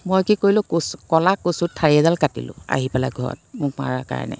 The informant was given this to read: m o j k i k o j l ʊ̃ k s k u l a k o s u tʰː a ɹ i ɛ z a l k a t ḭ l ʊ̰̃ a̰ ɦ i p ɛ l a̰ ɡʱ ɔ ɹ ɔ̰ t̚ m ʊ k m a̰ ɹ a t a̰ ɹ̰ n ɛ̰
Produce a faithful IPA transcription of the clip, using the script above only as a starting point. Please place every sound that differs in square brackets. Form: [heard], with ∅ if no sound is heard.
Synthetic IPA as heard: m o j k i k o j l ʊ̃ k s k [ɔ] l a k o s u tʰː a ɹ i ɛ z a l k a t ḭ l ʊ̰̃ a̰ ɦ i p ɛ l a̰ ɡʱ ɔ ɹ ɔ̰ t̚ m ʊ k m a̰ ɹ a [k] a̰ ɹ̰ n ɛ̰